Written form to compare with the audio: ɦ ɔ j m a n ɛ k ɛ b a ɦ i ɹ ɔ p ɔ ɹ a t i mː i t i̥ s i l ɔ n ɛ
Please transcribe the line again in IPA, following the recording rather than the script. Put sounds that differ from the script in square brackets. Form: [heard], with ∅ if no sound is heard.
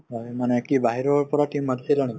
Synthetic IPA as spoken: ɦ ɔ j m a n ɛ k [i] b a ɦ i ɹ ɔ p ɔ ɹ a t i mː [a] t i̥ s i l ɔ n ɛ

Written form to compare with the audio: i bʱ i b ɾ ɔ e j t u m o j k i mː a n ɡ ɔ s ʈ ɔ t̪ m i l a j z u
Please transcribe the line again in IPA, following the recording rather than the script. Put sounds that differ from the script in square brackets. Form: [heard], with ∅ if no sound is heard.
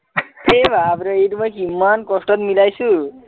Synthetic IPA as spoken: [e] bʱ [a] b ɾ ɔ e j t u m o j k i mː a n [k] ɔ s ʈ ɔ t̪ m i l a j [s] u

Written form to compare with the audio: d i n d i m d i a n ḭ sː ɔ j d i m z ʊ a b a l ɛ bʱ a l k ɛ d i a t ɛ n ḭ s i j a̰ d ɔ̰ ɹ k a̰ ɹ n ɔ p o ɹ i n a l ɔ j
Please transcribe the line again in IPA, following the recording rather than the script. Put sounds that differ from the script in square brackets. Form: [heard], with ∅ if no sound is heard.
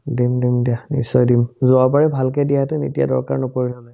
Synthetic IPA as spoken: d i [m] d i m d i a n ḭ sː ɔ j d i m z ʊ a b a [ɹ] ɛ bʱ a l k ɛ d i a t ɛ n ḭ [t] i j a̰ d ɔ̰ ɹ k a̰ ɹ n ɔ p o ɹ i n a l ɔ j

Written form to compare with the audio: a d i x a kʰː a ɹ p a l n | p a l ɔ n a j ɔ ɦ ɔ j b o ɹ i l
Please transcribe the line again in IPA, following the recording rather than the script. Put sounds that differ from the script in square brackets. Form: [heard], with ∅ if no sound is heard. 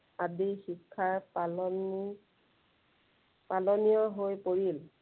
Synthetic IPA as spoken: a d i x [i] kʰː a ɹ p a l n | p a l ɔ n [i] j ɔ ɦ [o] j [p] o ɹ i l

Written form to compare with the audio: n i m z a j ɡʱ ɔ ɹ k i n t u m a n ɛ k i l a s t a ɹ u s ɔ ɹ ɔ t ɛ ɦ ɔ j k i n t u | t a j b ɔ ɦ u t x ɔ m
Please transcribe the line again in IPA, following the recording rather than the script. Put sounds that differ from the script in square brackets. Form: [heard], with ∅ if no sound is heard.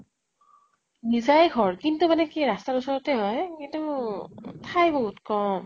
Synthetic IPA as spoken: n i [∅] z a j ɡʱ ɔ ɹ k i n t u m a n ɛ k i [ɹ] a s t a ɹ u s ɔ ɹ ɔ t ɛ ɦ ɔ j k i n t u | [tʰ] a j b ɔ ɦ u t [k] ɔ m

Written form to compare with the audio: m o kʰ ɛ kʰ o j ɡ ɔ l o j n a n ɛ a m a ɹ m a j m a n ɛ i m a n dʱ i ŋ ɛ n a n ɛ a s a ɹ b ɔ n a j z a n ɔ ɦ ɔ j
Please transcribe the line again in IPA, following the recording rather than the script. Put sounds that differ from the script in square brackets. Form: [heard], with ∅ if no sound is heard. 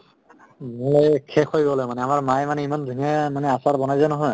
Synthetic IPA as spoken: m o kʰ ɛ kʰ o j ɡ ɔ l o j [m] a n ɛ a m a ɹ m a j m a n ɛ i m a n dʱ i ŋ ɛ [m] a n ɛ a s a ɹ b ɔ n a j z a n ɔ ɦ ɔ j

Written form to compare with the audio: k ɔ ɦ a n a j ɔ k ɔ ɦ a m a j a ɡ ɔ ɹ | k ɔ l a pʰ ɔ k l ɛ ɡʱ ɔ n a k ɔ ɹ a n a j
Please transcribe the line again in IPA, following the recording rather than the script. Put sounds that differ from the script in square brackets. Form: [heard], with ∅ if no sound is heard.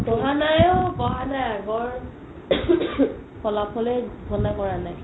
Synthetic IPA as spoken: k ɔ ɦ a n a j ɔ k ɔ ɦ a [n] a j a ɡ ɔ ɹ | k ɔ l a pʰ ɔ [∅] l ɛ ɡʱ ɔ n a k ɔ ɹ a n a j

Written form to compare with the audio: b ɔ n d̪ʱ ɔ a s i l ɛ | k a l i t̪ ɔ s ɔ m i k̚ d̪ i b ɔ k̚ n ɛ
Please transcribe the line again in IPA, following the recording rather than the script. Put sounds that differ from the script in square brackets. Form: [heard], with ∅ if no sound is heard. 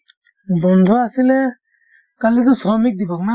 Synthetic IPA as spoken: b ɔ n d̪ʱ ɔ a s i l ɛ | k a l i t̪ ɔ s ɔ m i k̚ d̪ i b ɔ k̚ n [a]

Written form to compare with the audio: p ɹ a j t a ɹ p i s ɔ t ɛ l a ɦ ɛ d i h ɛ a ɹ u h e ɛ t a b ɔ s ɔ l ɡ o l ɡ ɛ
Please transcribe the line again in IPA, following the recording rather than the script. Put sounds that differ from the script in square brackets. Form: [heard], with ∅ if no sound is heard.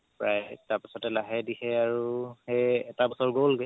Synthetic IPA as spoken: p ɹ a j t a ɹ p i s ɔ t ɛ l a ɦ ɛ d i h ɛ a ɹ u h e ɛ t a b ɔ s ɔ [ɹ] ɡ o l ɡ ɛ

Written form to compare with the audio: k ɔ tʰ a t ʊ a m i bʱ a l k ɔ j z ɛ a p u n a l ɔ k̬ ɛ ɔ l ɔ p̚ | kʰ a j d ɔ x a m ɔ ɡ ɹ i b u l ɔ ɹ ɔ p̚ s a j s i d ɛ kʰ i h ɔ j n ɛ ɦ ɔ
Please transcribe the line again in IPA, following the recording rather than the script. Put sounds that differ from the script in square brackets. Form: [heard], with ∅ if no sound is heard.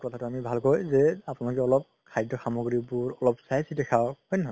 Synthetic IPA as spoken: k ɔ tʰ a t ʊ a m i bʱ a l k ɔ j z ɛ a p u n a l ɔ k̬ ɛ ɔ l ɔ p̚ | kʰ a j d ɔ x a m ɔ ɡ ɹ i b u [ɹ] ɔ [l] ɔ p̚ s a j s i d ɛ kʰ [a] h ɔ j n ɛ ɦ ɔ

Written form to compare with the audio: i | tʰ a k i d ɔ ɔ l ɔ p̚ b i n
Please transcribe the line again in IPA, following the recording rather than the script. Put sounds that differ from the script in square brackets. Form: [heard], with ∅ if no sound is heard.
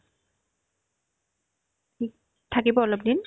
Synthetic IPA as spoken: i | tʰ a k i [b] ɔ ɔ l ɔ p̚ [d] i n

